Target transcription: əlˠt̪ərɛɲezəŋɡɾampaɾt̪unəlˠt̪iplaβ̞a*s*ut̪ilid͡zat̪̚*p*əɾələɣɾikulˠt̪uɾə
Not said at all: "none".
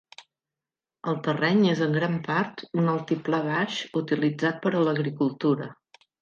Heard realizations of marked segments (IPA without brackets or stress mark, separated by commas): ʃ, p